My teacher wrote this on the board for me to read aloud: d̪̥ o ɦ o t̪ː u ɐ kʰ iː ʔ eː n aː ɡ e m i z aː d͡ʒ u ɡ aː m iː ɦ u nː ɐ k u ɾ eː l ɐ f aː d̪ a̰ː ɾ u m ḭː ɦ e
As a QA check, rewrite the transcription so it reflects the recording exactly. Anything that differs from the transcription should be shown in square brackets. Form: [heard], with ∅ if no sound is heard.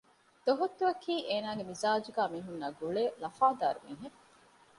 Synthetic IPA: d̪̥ o ɦ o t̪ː u ɐ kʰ iː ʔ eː n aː ɡ e m i z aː d͡ʒ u ɡ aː m iː ɦ u nː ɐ [ɡ] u [ɭ] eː l ɐ f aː d̪ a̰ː ɾ u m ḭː ɦ e